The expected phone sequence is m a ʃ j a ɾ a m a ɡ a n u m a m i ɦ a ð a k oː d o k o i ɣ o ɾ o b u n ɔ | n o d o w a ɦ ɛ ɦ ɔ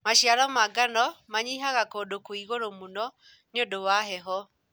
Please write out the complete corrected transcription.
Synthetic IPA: m a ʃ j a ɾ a m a ɡ a n ɔ m a ɲ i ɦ a ɣ a k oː d o k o i ɣ o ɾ o m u n ɔ | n o d o w a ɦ ɛ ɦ ɔ